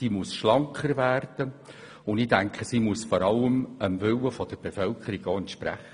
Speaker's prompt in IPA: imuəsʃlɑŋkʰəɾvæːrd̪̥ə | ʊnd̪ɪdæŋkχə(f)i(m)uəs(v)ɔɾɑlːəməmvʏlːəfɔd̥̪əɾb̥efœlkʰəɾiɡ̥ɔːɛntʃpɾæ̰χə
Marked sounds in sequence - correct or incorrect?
incorrect: s, correct, incorrect: f

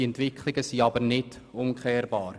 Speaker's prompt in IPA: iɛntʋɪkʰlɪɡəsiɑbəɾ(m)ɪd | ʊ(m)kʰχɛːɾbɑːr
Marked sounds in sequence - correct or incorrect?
incorrect: n, correct

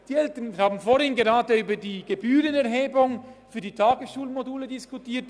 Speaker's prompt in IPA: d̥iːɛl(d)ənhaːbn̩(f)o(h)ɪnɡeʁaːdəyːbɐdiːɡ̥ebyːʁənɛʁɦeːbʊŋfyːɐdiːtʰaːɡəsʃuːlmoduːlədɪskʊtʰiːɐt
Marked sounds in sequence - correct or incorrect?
incorrect: t, correct, correct

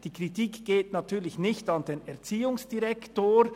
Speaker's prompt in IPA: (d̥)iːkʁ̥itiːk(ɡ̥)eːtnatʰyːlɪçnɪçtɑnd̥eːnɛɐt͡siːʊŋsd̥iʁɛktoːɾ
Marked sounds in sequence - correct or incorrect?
correct, correct

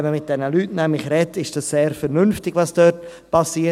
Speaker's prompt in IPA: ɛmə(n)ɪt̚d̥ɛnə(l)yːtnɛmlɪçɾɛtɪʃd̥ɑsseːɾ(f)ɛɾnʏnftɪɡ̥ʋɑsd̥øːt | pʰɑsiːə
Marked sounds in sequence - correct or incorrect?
incorrect: m, correct, correct

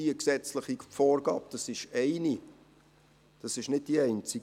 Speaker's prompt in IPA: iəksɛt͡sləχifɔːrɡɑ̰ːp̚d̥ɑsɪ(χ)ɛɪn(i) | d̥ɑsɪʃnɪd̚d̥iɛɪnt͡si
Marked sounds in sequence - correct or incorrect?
incorrect: ʃ, correct

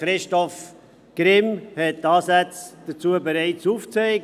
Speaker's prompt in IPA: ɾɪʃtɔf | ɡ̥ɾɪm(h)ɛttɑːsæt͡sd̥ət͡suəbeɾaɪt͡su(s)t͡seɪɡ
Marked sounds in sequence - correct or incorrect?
correct, incorrect: f

